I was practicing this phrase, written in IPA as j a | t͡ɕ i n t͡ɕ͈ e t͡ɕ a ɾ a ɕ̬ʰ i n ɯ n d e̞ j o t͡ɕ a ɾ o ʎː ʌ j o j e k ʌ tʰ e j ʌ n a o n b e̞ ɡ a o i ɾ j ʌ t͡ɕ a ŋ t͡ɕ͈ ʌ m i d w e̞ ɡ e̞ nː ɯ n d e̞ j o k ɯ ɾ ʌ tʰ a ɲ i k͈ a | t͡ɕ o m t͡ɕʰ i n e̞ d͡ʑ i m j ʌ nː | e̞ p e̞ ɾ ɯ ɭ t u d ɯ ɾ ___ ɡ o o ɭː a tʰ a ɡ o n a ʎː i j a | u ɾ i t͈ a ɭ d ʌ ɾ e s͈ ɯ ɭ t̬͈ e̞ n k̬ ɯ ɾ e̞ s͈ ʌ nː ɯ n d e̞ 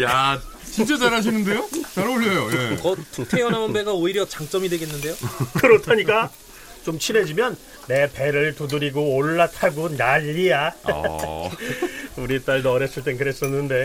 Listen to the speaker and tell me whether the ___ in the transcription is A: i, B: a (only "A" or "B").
A